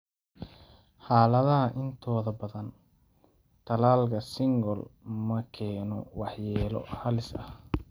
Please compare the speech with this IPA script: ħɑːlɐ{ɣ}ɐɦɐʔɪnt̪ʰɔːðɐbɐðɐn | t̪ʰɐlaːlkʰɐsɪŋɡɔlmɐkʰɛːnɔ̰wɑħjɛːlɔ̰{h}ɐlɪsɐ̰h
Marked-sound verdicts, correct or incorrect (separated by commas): incorrect, correct